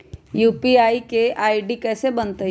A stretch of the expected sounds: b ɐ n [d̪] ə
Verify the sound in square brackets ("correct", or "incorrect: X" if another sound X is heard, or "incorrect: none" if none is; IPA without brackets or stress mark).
incorrect: t̪